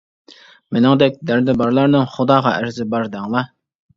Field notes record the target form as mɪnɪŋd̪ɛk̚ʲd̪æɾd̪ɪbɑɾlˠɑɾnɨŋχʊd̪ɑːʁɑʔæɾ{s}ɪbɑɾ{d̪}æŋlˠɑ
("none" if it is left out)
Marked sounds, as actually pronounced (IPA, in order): z, d̪

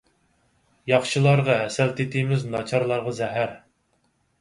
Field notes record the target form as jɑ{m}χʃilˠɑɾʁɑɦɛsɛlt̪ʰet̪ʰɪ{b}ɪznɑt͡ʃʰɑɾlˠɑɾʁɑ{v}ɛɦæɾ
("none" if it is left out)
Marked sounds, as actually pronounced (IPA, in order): none, m, z

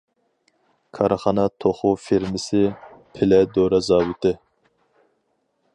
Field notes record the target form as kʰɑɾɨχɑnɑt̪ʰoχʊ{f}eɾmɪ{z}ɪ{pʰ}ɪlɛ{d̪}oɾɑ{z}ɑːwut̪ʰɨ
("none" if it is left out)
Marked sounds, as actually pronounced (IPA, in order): f, s, pʰ, d̪, z

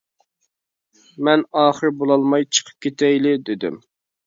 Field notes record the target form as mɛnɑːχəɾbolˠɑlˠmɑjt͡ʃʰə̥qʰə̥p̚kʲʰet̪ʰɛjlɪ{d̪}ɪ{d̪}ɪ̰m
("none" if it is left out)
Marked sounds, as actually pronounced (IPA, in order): d̪, d̪

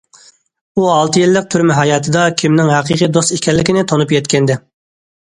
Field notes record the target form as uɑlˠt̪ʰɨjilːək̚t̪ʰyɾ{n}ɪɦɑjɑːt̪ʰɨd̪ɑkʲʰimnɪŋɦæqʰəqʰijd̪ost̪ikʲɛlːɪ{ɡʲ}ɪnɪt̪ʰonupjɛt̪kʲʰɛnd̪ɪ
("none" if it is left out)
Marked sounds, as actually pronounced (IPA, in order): m, kʲ

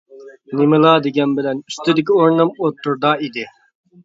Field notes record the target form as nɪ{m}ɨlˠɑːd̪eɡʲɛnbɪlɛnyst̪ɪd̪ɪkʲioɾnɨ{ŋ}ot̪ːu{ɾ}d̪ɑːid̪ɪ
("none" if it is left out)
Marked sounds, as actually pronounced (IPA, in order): m, m, ɾ

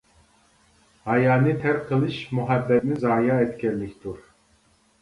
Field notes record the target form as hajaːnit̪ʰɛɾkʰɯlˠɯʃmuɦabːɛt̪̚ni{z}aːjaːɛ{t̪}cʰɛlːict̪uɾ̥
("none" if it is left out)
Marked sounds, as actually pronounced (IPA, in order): z, t̪

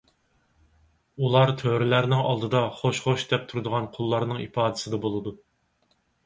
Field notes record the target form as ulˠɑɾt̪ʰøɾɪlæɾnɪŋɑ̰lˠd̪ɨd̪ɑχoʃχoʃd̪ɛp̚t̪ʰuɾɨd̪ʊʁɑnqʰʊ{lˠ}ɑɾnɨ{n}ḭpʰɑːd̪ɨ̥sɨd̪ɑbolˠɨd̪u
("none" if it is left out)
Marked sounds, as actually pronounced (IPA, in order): lˠː, ŋ

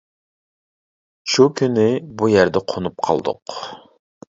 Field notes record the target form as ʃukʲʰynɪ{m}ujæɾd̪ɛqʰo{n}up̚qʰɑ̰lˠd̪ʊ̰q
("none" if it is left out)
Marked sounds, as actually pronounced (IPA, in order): b, n

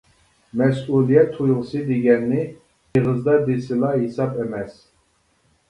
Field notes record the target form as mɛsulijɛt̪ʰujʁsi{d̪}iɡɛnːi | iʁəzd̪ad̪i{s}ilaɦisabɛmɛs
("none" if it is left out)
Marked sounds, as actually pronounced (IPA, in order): d̪, s

